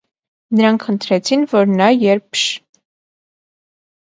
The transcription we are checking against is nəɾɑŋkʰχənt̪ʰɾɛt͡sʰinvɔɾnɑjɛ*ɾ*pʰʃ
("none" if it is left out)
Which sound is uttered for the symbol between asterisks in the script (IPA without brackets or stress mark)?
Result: ɾ